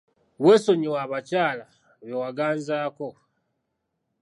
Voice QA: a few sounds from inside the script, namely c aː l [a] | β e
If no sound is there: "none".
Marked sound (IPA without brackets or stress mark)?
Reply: a